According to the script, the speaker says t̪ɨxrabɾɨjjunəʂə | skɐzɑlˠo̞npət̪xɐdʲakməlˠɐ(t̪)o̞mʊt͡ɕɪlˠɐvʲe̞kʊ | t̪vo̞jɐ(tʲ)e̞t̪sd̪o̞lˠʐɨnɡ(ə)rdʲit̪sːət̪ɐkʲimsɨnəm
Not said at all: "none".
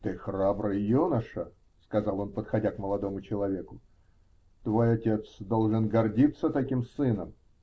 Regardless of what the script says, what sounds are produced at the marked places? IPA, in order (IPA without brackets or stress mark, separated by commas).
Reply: d̪, tʲ, ɐ